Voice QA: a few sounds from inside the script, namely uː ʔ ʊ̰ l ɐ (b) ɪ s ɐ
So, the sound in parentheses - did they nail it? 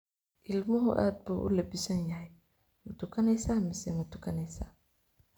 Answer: yes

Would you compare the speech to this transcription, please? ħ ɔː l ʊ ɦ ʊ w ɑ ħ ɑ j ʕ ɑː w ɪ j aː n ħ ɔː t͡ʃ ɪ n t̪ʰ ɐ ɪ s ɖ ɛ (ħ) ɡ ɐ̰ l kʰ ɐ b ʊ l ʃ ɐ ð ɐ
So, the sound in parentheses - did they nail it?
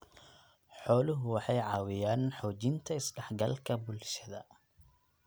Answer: yes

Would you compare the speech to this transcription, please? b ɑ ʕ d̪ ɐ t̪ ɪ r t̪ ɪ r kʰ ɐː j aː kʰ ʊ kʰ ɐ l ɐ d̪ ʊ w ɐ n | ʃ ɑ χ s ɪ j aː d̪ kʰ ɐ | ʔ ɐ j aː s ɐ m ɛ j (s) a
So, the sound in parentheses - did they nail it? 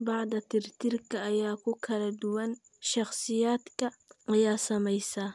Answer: yes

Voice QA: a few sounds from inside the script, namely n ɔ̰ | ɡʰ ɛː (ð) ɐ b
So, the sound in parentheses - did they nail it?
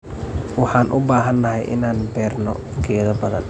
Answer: yes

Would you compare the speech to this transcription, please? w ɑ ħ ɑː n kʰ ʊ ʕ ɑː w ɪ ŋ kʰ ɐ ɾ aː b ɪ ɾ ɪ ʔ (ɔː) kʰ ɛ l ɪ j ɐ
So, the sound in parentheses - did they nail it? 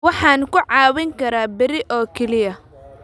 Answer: yes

